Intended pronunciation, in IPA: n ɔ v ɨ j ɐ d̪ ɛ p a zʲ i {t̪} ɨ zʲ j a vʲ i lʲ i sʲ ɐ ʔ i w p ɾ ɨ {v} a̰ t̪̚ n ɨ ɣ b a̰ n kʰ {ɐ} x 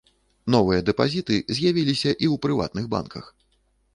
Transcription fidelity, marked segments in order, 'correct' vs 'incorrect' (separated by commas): correct, correct, correct